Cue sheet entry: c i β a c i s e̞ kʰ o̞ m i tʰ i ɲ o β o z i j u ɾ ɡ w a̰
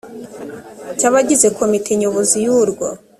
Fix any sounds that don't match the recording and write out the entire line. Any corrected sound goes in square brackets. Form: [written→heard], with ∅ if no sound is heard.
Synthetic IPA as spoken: c [i→a] β a [c→ɟ] i [s→z] e̞ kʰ o̞ m i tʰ [i→e] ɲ o β o z i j u ɾ ɡ w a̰